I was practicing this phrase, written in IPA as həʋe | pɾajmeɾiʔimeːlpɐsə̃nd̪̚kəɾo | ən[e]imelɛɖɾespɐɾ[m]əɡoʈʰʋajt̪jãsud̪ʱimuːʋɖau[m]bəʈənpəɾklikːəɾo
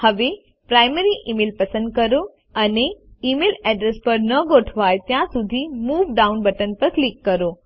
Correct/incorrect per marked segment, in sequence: correct, incorrect: n, incorrect: n

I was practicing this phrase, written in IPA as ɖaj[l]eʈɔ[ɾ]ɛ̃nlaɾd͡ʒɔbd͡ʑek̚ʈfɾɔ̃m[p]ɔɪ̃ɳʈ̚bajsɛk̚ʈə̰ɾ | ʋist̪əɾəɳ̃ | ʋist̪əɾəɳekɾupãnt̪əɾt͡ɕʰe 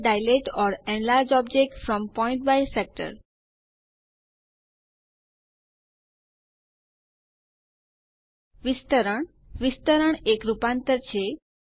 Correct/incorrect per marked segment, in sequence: correct, correct, correct

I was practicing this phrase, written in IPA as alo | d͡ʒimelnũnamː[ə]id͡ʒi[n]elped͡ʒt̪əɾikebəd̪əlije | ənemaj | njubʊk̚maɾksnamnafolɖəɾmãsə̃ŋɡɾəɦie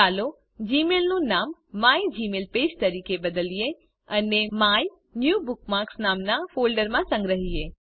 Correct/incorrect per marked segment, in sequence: incorrect: a, incorrect: m

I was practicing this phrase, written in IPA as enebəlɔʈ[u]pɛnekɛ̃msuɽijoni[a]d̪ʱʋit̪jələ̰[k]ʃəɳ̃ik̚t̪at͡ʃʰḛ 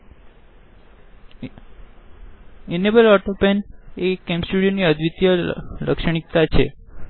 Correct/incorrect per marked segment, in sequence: incorrect: o, incorrect: ə, correct

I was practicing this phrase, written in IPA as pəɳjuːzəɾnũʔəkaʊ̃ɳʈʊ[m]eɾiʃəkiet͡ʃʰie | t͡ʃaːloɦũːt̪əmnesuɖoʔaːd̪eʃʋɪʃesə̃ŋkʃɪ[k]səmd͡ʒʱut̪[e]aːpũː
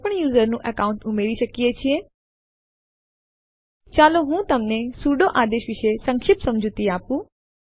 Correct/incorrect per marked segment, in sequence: correct, incorrect: p, incorrect: i

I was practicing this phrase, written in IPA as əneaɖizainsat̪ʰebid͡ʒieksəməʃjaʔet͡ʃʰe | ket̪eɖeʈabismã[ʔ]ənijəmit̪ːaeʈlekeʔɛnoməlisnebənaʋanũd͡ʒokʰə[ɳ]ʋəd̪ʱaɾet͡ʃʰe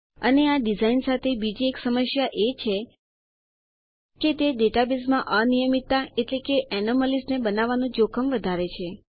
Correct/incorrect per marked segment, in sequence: correct, incorrect: m

